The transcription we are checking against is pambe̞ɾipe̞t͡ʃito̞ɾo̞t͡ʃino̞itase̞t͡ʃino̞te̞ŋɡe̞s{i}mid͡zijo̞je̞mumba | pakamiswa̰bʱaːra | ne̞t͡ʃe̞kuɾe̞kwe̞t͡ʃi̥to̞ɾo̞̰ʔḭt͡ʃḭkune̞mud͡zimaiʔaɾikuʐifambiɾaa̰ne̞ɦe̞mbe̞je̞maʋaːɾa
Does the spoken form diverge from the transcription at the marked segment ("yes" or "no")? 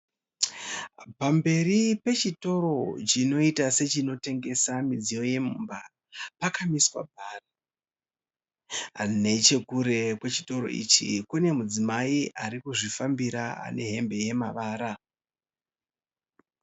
yes